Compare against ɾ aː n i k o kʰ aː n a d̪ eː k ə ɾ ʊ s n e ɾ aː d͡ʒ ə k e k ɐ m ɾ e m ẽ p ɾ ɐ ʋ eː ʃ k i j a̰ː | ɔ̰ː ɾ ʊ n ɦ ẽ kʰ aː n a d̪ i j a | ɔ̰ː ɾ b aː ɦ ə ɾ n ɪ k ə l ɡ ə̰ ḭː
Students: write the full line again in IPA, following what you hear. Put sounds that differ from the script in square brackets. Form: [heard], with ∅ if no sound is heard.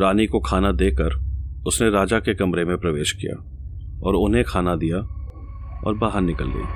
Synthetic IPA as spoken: ɾ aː n i k o kʰ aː n a d̪ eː k ə ɾ ʊ s n e ɾ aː d͡ʒ [a] k e k ɐ m ɾ e m ẽ p ɾ ɐ ʋ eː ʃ k i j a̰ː | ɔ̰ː ɾ ʊ n ɦ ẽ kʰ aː n a d̪ i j a | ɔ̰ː ɾ b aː ɦ ə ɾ n ɪ k ə l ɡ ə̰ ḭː